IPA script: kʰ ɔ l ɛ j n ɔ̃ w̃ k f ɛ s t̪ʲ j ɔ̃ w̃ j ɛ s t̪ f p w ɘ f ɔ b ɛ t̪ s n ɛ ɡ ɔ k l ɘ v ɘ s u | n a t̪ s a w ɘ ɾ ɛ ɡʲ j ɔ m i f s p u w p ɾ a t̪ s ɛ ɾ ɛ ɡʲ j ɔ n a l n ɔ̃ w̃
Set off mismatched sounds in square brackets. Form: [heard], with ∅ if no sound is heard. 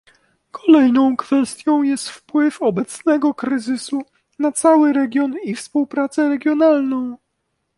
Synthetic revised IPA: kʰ ɔ l ɛ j n ɔ̃ w̃ k f ɛ s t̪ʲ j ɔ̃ w̃ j ɛ s t̪ f p w ɘ f ɔ b ɛ t̪ s n ɛ ɡ ɔ k [ɾ] ɘ [z] ɘ s u | n a t̪ s a w ɘ ɾ ɛ ɡʲ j ɔ [n] i f s p u w p ɾ a t̪ s ɛ ɾ ɛ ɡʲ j ɔ n a l n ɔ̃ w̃